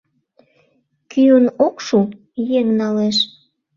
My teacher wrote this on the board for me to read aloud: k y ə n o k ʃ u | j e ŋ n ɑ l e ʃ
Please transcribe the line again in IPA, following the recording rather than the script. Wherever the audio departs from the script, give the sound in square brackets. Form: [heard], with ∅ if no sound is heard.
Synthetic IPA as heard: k y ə n o k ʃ u | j e ŋ n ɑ l e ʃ